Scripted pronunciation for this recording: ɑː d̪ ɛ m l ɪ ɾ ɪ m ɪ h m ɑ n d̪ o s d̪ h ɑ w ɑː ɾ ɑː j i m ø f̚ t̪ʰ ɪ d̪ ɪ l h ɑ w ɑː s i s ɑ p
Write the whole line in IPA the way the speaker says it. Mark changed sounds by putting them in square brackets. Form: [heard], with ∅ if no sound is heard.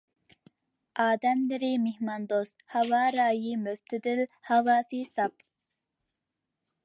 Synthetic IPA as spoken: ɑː d̪ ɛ m l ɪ ɾ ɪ m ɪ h m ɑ n d̪ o s [t̪] h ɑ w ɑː ɾ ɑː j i m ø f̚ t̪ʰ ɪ d̪ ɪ l h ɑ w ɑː s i s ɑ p